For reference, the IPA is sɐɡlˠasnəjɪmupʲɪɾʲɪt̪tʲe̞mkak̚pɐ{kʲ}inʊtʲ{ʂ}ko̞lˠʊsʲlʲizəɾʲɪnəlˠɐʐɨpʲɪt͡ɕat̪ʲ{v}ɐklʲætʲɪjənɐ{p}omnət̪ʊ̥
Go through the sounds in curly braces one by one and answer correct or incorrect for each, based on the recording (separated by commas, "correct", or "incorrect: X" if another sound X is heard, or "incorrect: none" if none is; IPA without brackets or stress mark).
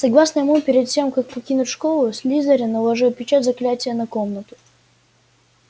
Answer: correct, correct, incorrect: z, incorrect: k